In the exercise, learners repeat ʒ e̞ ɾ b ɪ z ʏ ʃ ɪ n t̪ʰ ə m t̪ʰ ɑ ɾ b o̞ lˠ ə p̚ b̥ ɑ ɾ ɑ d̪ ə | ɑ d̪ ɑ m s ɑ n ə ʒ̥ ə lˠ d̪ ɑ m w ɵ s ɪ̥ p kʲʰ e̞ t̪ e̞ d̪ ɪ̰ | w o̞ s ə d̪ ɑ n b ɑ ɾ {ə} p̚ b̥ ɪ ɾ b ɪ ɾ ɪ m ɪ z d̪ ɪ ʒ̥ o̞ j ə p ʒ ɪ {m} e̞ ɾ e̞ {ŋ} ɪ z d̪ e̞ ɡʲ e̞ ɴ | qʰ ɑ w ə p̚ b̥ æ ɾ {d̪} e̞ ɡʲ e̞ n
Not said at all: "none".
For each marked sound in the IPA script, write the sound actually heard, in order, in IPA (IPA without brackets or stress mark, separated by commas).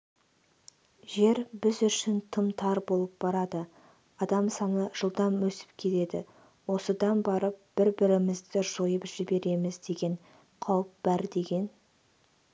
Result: ə, b, m, d̪